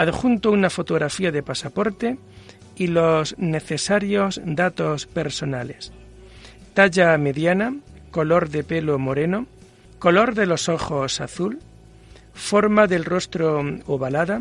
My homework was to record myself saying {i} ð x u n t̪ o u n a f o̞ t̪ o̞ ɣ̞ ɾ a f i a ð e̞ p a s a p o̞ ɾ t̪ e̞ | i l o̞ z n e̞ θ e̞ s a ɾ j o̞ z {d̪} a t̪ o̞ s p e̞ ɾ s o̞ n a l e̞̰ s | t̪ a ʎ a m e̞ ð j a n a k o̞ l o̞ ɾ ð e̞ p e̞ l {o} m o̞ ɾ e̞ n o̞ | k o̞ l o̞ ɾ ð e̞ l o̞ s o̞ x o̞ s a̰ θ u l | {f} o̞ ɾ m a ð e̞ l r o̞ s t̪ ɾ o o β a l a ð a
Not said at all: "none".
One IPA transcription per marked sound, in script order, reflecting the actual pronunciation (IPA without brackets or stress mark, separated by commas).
a, d̪, o, f